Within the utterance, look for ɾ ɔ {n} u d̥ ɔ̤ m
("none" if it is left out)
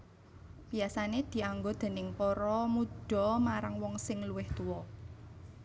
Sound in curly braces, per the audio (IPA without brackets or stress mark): m